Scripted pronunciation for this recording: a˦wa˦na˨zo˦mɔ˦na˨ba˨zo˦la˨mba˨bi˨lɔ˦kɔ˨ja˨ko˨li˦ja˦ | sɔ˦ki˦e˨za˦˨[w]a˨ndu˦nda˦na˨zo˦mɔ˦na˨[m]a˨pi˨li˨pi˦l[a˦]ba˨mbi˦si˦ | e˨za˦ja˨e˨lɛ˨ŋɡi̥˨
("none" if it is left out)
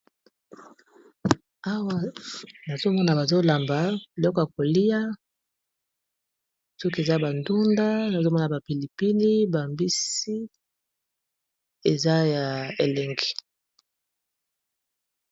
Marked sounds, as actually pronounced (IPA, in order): b, b, i˦

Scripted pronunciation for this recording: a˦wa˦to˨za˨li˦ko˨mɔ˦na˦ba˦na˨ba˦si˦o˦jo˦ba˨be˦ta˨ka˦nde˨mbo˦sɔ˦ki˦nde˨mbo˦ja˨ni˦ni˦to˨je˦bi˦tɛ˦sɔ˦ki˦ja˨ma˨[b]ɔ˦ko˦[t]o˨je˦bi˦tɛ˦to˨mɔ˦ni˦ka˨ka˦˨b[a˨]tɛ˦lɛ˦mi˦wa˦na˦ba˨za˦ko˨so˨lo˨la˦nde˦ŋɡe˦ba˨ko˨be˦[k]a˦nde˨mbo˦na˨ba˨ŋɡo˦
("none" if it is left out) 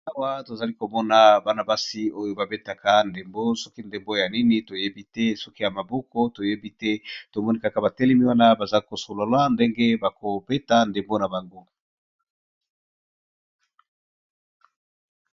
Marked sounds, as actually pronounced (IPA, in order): b, t, a˨, t

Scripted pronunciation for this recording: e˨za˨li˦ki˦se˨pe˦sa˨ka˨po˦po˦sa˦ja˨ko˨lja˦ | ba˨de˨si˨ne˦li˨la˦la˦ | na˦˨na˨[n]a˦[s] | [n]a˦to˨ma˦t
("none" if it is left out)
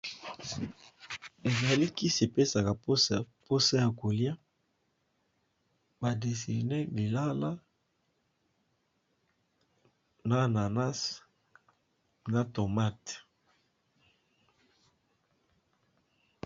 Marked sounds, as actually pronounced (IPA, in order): n, s, n

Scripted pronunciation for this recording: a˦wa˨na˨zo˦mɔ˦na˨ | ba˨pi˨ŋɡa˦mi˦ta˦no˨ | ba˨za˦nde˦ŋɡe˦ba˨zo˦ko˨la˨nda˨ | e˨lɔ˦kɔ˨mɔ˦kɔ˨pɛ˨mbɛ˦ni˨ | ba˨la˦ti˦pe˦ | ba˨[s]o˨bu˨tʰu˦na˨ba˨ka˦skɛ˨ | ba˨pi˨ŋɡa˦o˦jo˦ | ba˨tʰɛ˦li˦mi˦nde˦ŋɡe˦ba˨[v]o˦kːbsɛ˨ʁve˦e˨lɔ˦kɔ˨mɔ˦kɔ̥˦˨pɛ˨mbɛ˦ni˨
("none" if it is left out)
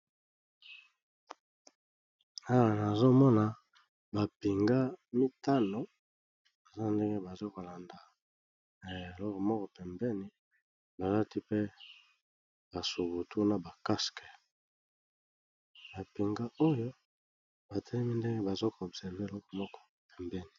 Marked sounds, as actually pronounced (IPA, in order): s, z

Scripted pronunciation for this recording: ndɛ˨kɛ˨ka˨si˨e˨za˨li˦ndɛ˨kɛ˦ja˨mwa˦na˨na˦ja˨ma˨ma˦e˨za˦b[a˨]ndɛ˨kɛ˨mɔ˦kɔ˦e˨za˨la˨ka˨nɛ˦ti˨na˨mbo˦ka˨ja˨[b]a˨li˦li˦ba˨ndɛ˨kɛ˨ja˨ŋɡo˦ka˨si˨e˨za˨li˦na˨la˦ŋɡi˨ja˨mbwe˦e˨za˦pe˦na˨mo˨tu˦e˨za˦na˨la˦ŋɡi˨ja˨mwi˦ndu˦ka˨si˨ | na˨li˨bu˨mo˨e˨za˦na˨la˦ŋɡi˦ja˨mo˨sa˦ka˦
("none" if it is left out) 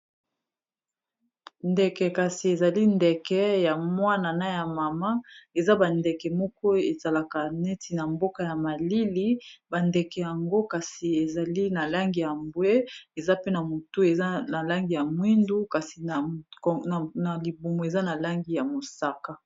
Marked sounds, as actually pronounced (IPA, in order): a˨, m

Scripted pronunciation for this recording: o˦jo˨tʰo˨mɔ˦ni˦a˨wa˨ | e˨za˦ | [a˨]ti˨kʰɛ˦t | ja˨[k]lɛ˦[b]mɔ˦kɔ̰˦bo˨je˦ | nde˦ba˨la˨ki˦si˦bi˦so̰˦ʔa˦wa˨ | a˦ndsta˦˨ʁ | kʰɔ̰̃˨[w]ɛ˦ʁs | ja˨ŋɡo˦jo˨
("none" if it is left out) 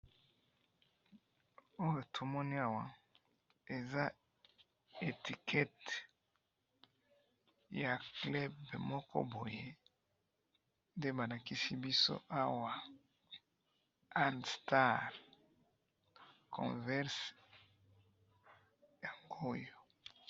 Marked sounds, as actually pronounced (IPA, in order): e˨, k, b, v

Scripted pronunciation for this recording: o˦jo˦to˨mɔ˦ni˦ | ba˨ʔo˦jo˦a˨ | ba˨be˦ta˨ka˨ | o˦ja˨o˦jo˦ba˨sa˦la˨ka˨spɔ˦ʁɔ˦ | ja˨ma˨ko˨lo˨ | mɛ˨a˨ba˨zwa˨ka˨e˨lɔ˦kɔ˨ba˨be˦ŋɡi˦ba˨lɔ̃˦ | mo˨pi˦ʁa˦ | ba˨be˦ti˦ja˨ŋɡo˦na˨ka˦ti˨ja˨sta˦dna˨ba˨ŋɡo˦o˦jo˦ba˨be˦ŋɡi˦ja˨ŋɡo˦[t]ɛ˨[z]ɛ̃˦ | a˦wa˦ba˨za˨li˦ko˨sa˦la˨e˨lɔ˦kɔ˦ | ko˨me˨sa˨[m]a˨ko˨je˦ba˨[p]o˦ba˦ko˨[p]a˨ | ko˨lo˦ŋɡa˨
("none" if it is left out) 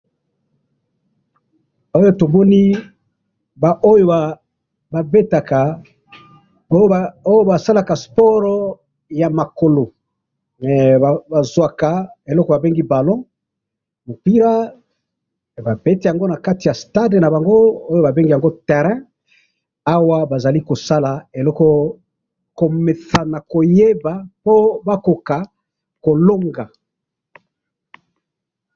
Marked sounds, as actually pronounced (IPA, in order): t, ʁ, n, p, k

